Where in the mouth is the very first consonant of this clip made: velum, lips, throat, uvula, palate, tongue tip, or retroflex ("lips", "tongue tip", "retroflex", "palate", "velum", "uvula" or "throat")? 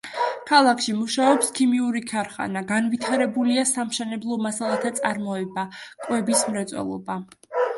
velum